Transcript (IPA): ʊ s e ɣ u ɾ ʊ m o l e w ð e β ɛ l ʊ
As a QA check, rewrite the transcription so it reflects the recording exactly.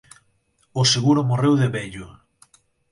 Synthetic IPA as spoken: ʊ s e ɣ u ɾ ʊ m o r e w ð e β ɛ ʎ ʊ